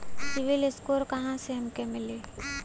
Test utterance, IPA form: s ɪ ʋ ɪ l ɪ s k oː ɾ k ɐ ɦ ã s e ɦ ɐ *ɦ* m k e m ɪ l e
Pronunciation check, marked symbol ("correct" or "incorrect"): incorrect